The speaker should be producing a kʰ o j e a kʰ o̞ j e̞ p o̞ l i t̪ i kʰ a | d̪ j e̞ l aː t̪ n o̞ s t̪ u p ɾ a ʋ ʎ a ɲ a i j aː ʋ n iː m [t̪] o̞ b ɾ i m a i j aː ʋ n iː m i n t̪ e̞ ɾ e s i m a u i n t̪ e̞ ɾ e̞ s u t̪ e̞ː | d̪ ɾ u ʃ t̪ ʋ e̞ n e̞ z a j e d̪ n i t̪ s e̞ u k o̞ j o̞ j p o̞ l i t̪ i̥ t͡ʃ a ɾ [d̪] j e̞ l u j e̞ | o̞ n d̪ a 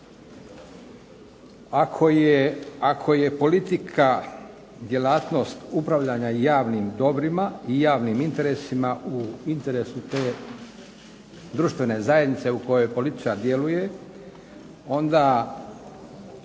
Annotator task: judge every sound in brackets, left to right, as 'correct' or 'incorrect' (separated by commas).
incorrect, correct